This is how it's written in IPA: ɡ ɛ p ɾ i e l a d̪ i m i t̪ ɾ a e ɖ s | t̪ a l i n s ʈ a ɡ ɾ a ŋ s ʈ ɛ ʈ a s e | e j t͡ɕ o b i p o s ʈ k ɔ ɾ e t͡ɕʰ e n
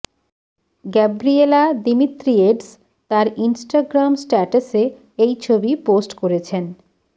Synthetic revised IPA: ɡ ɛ b ɾ i e l a d̪ i m i t̪ ɾ i e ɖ s | t̪ a ɾ i n s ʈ a ɡ ɾ a m s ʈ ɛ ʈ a s e | e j t͡ɕʰ o b i p o s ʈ k o ɾ e t͡ɕʰ e n